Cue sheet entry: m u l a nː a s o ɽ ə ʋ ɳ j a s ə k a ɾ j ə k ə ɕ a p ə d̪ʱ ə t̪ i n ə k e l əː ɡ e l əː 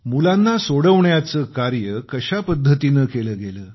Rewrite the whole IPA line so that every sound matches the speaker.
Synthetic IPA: m u l a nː a s o ɽ ə ʋ ɳ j a t͡s ə k a ɾ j ə k ə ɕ a p ə d̪ʱː ə t̪ i n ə k e l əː ɡ e l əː

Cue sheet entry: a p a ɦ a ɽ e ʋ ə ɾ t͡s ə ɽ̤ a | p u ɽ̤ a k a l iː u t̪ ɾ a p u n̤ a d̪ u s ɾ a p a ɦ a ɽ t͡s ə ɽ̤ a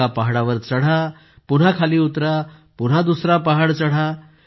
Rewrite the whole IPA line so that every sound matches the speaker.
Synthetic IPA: a p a ɦ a ɽ a ʋ ə ɾ t͡s ə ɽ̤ a | p u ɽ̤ a kʰ a l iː u t̪ ɾ a p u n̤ a d̪ u s ɾ a p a ɦ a ɽ t͡s ə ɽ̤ a

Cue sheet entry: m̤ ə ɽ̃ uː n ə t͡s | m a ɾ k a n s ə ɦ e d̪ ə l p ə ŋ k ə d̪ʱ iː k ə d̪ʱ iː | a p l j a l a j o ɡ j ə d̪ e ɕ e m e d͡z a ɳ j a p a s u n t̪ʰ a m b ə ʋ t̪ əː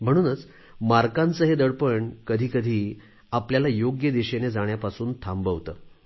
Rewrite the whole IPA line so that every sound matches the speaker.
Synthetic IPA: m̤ ə ɽ̃ uː n ə t͡s | m a ɾ k a n t͡s ə ɦ e d̪ ə ɽ p ə ɳ k ə d̪ʱ iː k ə d̪ʱ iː | a p l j a l a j o ɡ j ə d̪ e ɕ e n e d͡z a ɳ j a p a s uː n t̪ʰ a m b ə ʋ t̪ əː

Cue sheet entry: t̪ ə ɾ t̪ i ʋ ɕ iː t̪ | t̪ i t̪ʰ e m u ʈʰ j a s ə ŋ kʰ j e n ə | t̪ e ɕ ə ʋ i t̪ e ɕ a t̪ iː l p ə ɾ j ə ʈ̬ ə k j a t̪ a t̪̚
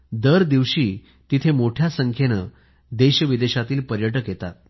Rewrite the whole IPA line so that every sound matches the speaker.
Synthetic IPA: d̪ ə ɾ d̪ i ʋ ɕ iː | t̪ i t̪ʰ e m o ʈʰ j a s ə ŋ kʰ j e n ə | d̪ e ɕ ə ʋ i d̪ e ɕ a t̪ iː l p ə ɾ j ə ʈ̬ ə k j e t̪ a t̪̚

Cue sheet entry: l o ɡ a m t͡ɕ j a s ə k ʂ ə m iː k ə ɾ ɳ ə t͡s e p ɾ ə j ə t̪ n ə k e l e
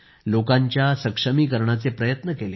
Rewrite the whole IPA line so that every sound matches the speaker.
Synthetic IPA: l o k a ɲ t͡ɕ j a s ə k ʂ ə m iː k ə ɾ ɳ a t͡s e p ɾ ə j ə t̪ n ə k e l e

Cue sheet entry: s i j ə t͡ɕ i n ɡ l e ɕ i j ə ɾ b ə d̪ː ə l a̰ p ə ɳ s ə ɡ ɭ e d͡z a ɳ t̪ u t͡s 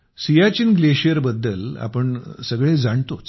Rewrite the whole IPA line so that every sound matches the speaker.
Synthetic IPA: s i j a t͡ɕ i n ɡ l e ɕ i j ə ɾ b ə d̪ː ə l a̰ p ə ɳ s ə ɡ ɭ e d͡z a ɳ t̪ o t͡s

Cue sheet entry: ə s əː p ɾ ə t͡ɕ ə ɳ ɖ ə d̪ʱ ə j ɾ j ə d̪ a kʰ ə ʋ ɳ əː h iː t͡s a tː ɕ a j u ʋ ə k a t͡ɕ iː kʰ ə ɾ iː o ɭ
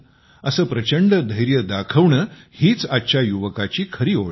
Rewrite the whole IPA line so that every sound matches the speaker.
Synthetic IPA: ə s əː p ɾ ə t͡ɕ ə ɳ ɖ ə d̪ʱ ə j ɾ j ə d̪ a kʰ ə ʋ ɳ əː h iː t͡s a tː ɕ a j u ʋ ə k a t͡ɕ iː kʰ ə ɾ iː o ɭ

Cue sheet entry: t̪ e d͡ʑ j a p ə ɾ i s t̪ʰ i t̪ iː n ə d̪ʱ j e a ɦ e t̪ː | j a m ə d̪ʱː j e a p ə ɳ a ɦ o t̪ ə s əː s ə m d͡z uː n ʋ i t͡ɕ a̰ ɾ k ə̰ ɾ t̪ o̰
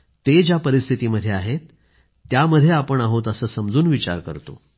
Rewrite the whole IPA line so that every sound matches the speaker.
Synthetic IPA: t̪ e d͡ʑ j a p ə ɾ i s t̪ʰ i t̪ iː m ə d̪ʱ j e a ɦ e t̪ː | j a m ə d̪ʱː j e a p ə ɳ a ɦ o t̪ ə s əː s ə m d͡z uː n ʋ i t͡ɕ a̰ ɾ k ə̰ ɾ t̪ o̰

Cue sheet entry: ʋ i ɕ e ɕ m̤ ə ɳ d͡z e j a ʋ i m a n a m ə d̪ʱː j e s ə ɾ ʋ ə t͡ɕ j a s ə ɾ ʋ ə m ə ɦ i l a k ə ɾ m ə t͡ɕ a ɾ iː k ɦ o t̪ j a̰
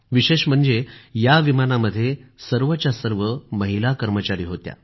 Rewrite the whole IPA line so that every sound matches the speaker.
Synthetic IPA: ʋ i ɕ e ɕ m̤ ə ɳ d͡z e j a ʋ i m a n a m ə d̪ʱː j e s ə ɾ ʋ ə t͡ɕ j a s ə ɾ ʋ ə m ə ɦ i l a k ə ɾ m ə t͡ɕ a ɾ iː ɦ o t̪ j a̰

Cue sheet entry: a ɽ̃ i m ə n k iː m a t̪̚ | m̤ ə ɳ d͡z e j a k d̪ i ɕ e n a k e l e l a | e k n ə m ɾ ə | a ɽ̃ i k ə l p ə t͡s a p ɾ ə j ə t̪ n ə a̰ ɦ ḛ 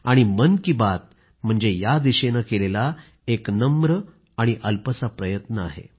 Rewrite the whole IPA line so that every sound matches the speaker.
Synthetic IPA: a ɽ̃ i m ə n k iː b a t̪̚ | m̤ ə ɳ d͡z e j a d̪ i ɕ e n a k e l e l a | e k n ə m ɾ ə | a ɽ̃ i ʔ ə l p ə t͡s a p ɾ ə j ə t̪ n ə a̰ ɦ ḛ

